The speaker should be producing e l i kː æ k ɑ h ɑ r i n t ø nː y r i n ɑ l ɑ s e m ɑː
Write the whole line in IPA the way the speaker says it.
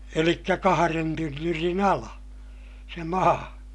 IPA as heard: e l i kː æ k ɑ h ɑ r e n t y nː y r i n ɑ l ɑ s e m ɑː